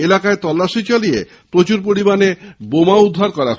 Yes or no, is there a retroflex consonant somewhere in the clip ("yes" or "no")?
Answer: no